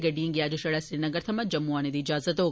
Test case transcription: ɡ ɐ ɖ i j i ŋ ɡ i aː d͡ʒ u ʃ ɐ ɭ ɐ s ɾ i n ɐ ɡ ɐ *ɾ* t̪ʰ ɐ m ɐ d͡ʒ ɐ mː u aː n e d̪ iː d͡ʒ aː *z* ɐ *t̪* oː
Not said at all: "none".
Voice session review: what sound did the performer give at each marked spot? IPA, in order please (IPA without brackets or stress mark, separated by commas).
ɾ, z, t̪